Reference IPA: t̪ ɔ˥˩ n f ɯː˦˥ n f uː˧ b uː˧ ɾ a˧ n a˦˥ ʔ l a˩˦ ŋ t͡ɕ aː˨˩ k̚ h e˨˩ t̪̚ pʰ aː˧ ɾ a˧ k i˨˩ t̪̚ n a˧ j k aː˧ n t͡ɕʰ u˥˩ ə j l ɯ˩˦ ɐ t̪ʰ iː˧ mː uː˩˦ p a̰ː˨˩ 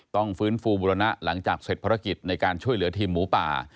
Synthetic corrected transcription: t̪ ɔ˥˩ ŋ f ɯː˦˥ n f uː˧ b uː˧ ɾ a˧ n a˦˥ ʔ l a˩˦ ŋ t͡ɕ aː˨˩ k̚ s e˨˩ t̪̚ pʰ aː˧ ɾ a˦˥ k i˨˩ t̪̚ n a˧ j k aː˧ n t͡ɕʰ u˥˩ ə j l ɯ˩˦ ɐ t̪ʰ iː˧ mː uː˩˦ p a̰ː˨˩

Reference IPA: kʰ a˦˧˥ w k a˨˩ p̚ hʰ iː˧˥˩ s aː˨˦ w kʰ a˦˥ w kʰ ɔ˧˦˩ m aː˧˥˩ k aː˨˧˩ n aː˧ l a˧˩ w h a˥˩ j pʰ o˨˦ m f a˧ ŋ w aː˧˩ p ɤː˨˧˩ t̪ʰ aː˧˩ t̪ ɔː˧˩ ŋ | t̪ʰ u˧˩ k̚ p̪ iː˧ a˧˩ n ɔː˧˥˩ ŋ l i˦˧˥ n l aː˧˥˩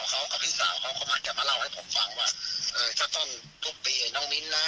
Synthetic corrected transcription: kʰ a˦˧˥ w k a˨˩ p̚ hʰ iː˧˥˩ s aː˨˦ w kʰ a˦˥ w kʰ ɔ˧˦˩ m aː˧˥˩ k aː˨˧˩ m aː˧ l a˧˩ w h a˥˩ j pʰ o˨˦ m f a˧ ŋ w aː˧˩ ʔ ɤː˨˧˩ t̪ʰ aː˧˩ t̪ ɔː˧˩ n | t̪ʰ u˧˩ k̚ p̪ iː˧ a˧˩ n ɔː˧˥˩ ŋ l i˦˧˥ n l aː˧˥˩

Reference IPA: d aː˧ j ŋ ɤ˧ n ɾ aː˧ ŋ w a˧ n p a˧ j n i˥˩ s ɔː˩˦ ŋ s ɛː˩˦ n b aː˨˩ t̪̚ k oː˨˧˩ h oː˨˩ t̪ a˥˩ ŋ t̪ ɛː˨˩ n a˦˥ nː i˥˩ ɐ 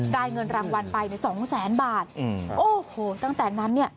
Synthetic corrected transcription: d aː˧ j ŋ ɤ˧ n ɾ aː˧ ŋ w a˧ n p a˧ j n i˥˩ s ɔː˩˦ ŋ s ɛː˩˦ n b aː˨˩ t̪̚ ʔ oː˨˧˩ h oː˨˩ t̪ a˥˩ ŋ t̪ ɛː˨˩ n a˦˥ nː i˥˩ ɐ

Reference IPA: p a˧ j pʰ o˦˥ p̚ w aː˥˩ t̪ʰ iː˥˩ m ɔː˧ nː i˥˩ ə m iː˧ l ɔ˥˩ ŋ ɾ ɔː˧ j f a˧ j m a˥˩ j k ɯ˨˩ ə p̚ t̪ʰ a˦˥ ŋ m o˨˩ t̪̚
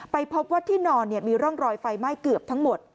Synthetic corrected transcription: p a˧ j pʰ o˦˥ p̚ w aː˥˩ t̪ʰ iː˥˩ n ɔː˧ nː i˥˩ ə m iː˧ ɾ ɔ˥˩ ŋ ɾ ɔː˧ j f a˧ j m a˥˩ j k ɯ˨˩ ə p̚ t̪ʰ a˦˥ ŋ m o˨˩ t̪̚

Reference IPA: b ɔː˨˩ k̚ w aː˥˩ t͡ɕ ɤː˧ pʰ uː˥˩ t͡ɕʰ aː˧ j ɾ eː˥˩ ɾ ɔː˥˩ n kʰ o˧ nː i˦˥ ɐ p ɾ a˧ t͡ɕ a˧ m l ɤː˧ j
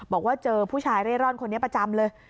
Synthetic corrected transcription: b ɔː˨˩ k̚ w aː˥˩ t͡ɕ ɤː˧ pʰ uː˥˩ t͡ɕʰ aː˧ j ɾ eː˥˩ ɾ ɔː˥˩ n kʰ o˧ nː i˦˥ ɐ p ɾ a˧ t͡ɕ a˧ m l ɤː˧ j

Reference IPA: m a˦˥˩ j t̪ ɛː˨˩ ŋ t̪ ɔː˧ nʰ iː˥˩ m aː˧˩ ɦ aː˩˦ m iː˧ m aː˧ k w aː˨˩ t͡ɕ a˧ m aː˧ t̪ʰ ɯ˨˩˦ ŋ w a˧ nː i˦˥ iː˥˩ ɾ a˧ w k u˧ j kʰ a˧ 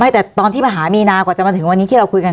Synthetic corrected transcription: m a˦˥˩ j t̪ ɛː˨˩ t̪ ɔː˧ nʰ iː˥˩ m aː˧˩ ɦ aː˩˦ m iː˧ n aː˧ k w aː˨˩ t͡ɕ a˨˩ m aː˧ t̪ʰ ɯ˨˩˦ ŋ w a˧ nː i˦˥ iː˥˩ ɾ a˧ w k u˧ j k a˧

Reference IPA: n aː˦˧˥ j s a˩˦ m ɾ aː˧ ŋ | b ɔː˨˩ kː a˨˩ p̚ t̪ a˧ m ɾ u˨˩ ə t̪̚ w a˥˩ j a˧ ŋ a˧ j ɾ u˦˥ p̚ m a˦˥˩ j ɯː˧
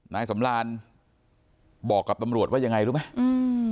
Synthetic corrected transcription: n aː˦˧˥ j s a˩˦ m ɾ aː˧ n | b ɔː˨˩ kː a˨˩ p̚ t̪ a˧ m ɾ u˨˩ ə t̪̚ w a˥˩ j a˧ ŋ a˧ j ɾ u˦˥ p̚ m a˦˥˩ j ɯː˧

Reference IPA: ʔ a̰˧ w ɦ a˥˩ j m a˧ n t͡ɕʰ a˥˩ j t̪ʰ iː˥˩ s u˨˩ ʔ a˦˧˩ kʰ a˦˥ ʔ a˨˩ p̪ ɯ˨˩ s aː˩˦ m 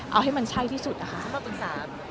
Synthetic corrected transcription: ʔ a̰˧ w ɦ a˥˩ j m a˧ n t͡ɕʰ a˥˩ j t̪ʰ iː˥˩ s u˨˩ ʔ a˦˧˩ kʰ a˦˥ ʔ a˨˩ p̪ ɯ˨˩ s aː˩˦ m

